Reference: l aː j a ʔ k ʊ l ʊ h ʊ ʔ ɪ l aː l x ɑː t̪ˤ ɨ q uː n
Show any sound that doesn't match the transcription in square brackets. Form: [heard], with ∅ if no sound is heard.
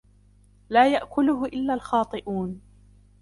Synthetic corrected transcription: l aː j a ʔ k ʊ l ʊ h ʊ ʔ ɪ [lː] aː l x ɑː t̪ˤ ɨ [ʔ] uː n